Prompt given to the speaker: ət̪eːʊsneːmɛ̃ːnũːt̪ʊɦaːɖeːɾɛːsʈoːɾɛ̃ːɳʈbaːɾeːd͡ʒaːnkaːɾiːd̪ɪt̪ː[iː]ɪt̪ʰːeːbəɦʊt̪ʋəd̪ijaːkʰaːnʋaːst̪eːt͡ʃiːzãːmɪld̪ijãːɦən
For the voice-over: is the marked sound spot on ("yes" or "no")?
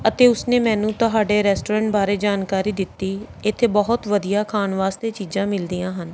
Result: yes